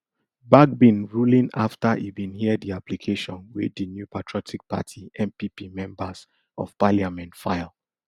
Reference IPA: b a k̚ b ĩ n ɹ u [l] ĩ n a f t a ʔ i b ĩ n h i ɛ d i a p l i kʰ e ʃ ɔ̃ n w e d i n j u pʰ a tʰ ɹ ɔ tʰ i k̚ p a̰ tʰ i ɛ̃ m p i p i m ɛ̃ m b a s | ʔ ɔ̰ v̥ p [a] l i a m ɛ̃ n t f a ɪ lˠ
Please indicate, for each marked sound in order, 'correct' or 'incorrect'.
correct, correct

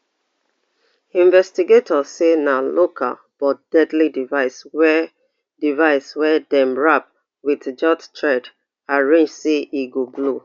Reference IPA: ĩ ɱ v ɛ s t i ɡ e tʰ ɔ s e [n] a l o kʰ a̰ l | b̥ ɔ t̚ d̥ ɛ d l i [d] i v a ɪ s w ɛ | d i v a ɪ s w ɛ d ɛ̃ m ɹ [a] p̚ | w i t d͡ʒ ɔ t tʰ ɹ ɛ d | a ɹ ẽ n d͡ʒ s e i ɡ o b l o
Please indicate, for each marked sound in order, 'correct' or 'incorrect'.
correct, correct, correct

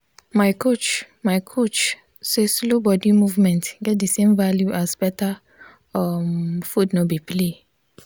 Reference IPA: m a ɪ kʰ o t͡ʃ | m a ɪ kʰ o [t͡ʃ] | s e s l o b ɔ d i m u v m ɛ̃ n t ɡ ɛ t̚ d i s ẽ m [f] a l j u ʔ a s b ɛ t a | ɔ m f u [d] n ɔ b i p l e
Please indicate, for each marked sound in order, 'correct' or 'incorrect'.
correct, incorrect, correct

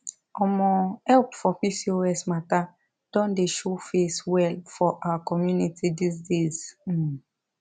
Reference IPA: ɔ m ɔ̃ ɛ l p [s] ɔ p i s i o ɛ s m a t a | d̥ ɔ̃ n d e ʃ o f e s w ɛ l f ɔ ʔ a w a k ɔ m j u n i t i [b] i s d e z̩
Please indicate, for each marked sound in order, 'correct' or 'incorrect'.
incorrect, incorrect

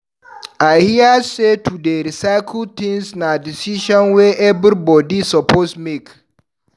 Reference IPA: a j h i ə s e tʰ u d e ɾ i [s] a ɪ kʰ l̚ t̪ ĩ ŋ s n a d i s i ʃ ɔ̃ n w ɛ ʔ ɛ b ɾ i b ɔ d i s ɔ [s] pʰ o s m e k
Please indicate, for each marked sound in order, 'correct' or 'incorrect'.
correct, incorrect

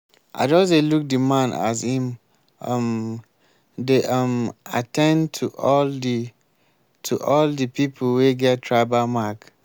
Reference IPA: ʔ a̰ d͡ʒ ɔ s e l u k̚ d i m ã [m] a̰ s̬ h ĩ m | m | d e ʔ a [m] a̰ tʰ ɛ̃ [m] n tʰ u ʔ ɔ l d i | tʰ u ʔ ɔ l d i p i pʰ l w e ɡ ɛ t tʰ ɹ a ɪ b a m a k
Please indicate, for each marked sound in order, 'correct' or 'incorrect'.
incorrect, correct, incorrect

